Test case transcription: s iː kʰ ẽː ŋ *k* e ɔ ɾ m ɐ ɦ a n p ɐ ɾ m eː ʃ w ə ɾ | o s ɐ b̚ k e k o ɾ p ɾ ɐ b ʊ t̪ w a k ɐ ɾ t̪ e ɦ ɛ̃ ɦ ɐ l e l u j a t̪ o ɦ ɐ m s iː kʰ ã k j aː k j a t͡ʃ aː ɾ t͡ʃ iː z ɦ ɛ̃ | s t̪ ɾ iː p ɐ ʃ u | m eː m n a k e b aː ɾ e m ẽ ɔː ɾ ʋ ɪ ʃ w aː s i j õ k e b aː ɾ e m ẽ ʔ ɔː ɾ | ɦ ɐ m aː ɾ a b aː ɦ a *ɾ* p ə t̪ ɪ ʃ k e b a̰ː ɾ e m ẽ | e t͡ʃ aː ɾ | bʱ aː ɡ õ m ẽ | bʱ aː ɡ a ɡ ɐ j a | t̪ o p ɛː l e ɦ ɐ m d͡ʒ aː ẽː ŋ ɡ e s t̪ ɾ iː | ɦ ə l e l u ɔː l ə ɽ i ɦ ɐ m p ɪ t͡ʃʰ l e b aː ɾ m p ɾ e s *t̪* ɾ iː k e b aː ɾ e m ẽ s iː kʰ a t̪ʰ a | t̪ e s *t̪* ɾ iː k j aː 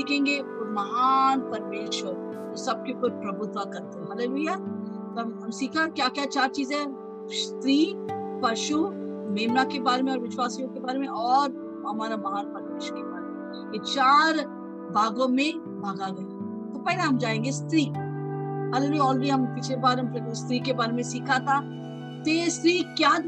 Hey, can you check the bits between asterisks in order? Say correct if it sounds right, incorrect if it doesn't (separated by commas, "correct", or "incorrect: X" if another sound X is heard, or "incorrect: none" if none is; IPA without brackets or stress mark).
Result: incorrect: ɡ, correct, correct, correct